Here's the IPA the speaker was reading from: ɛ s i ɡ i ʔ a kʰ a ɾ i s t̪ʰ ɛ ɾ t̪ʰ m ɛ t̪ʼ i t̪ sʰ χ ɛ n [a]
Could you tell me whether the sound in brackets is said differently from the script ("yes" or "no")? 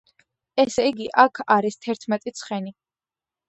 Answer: yes